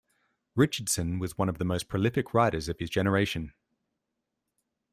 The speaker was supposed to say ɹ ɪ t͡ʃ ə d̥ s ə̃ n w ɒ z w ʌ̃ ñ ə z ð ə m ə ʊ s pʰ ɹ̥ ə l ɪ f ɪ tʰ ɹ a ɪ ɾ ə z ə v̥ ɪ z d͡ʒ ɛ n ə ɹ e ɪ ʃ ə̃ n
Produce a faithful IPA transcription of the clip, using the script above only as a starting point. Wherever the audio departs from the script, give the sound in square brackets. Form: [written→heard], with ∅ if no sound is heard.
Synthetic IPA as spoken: ɹ ɪ t͡ʃ ə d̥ s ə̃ n w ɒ z w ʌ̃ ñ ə [z→v] ð ə m ə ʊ s pʰ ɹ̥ ə l ɪ f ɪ [tʰ→kʰ] ɹ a ɪ ɾ ə z ə v̥ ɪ z d͡ʒ ɛ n ə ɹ e ɪ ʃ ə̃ n